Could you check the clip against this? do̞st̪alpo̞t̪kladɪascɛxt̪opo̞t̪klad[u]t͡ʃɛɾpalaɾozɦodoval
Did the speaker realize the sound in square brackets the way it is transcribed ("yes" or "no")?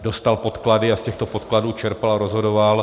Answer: no